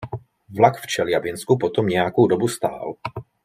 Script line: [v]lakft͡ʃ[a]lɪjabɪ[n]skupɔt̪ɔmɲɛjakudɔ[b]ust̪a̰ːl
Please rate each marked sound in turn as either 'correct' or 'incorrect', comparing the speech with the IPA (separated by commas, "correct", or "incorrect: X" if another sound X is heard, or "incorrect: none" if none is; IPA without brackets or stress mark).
correct, incorrect: ɛ, correct, correct